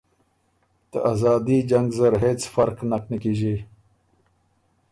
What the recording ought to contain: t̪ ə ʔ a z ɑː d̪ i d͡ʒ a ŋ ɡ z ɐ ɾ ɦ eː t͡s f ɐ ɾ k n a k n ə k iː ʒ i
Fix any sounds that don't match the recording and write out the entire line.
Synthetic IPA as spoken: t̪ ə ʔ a z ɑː d̪ i d͡ʒ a ŋ ɡ z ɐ ɾ ɦ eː t͡s f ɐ ɾ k n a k n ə k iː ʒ i